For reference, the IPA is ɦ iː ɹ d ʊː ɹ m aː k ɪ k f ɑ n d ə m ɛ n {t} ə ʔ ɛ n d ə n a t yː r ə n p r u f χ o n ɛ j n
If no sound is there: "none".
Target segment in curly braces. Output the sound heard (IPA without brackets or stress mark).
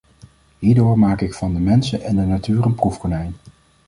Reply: s